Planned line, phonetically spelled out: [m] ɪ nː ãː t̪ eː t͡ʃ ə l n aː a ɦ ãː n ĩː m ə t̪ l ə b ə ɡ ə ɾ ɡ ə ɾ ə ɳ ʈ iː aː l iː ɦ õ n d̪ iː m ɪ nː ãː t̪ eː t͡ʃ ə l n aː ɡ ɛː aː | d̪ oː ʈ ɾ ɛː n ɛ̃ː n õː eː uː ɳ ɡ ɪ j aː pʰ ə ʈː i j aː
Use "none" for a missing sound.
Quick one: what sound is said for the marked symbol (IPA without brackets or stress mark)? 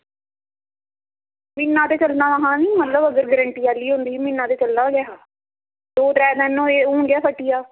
m